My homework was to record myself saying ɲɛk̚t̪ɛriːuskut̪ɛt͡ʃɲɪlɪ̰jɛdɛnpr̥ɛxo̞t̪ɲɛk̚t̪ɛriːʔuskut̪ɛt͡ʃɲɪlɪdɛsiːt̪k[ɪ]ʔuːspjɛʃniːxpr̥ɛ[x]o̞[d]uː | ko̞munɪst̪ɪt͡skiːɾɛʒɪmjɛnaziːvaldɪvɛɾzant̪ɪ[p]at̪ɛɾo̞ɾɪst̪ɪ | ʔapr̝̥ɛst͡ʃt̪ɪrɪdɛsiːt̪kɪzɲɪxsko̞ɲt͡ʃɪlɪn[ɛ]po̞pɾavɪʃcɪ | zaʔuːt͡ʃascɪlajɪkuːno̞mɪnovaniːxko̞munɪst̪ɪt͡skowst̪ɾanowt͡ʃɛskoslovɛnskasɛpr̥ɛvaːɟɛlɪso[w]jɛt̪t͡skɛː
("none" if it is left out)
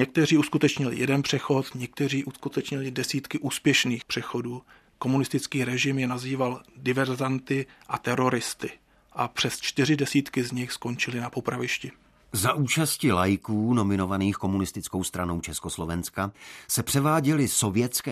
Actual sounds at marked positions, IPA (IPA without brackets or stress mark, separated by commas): ɪ, x, d, ʔ, a, v